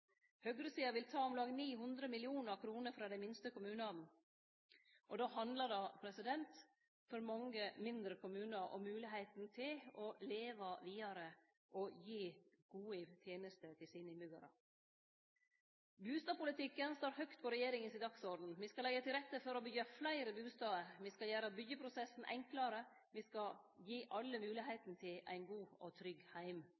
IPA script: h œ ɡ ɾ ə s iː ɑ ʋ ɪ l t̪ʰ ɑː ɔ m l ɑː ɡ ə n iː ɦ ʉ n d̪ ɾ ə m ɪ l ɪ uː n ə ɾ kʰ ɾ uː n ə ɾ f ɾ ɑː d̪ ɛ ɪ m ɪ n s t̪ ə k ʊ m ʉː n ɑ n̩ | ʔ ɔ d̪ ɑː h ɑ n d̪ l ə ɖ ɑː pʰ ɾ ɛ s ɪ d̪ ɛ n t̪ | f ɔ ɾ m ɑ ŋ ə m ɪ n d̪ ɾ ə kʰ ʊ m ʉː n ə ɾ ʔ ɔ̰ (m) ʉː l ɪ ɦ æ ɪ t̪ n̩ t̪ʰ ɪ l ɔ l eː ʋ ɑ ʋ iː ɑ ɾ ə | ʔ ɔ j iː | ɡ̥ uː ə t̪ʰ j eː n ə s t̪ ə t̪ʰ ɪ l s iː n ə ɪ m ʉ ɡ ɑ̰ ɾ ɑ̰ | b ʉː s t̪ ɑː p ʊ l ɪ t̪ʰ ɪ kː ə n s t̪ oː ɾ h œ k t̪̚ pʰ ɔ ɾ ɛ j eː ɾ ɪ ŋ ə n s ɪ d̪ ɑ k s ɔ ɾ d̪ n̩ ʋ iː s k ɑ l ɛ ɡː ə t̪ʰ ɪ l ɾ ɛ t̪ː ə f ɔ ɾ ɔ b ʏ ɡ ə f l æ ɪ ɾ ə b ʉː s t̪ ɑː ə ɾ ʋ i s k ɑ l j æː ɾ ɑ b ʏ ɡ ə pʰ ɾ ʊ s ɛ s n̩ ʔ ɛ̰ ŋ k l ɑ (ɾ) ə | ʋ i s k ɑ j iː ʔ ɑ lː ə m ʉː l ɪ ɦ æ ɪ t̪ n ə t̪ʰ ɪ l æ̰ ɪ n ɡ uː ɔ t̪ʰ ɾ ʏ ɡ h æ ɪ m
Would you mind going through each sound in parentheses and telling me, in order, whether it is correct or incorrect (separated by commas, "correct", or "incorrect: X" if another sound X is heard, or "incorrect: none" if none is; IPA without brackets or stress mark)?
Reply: correct, correct